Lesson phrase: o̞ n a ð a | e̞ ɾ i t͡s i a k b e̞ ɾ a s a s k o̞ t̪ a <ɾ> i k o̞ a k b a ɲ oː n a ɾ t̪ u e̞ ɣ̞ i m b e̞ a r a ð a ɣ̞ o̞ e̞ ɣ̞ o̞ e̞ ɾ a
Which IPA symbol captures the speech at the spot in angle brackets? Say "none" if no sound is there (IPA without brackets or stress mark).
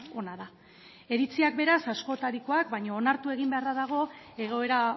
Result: ɾ